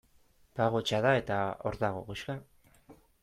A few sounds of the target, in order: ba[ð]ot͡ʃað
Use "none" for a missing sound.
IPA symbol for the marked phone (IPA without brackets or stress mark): ɣ